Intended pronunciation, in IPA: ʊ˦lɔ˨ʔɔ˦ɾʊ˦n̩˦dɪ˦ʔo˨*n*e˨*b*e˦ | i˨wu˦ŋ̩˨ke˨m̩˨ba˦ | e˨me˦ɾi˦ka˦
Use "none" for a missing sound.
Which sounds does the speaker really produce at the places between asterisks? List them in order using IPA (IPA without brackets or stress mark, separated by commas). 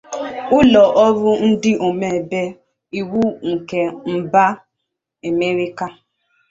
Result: m, b